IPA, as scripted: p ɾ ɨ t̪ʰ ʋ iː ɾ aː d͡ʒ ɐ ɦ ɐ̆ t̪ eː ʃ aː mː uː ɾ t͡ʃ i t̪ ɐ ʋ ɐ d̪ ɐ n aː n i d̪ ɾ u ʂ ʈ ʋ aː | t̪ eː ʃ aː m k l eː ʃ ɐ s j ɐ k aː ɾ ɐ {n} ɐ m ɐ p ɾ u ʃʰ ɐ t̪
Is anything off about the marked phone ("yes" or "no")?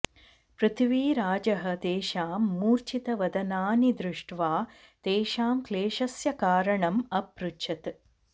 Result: yes